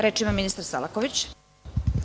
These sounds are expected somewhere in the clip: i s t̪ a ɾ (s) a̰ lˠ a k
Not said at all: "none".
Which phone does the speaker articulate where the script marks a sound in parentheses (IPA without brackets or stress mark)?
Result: s